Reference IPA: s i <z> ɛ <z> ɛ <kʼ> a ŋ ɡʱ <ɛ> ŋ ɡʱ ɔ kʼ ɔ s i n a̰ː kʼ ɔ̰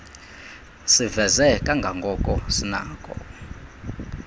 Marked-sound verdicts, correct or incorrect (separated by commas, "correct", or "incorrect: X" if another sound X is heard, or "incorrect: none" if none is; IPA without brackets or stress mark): incorrect: v, correct, correct, incorrect: a